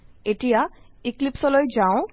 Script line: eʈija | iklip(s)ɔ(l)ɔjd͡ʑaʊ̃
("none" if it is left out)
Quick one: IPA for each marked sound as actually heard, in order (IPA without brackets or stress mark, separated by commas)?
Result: s, l